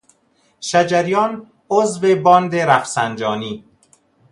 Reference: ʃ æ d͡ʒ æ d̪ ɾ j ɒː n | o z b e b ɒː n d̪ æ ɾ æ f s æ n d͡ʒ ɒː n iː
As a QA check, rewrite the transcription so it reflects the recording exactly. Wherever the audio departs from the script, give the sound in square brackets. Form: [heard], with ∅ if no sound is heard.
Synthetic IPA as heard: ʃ æ d͡ʒ æ [∅] ɾ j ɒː n | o z [v] e b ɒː n d̪ [e] ɾ æ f s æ n d͡ʒ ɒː n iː